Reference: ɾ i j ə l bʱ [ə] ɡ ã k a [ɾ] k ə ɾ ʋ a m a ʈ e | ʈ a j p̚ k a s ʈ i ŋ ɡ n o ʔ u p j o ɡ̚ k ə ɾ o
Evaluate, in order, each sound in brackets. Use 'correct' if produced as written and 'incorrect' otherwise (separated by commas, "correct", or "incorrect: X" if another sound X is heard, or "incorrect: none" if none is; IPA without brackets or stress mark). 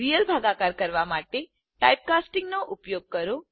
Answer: incorrect: a, correct